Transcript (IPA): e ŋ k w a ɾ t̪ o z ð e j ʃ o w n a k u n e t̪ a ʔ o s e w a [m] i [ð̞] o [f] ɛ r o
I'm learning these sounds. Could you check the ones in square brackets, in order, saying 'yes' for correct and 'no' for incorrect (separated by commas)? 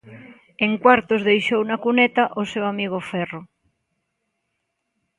yes, no, yes